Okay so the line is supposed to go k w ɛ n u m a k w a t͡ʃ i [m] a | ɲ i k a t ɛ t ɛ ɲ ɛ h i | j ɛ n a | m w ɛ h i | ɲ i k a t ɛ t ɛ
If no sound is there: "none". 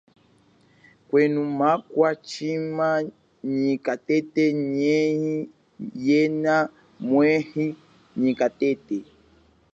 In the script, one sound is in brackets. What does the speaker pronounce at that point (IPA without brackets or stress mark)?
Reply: m